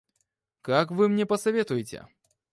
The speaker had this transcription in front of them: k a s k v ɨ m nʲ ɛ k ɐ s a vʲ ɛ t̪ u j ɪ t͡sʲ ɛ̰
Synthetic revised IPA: k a k v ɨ m nʲ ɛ p ɐ s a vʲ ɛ t̪ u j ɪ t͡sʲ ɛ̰